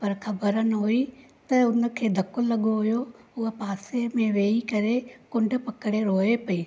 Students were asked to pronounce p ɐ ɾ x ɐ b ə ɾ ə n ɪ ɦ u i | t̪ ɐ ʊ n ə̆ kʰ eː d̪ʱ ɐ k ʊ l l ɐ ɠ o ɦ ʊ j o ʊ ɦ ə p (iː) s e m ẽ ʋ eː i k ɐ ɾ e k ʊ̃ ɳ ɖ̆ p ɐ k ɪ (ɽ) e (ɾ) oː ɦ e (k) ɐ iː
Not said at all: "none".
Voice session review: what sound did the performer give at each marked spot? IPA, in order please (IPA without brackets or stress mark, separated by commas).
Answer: aː, ɽ, ɾ, p